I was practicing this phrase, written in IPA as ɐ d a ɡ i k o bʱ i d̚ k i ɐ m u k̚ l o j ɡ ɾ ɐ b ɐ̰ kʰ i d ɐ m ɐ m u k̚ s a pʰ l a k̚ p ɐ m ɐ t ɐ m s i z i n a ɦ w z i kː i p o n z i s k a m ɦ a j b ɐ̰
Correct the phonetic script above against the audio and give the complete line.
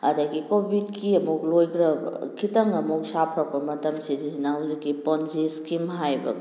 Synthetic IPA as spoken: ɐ d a ɡ i k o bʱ i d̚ k i ɐ m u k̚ l o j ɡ ɾ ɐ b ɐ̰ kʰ i t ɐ ŋ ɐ m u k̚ s a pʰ ɾ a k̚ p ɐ m ɐ t ɐ m s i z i n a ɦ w z i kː i p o n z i s k i m ɦ a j b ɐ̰